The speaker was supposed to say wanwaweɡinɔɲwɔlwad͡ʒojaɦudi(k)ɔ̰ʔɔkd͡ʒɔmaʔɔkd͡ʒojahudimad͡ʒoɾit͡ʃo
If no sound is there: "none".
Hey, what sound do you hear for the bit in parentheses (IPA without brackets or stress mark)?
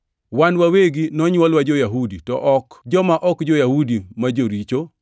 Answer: t